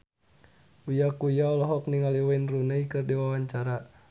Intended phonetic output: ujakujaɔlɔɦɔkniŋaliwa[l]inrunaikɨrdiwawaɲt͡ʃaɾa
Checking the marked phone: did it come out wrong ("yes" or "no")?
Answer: yes